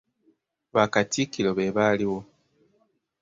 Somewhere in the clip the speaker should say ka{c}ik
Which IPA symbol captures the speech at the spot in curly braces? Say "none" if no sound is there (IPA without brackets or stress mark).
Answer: t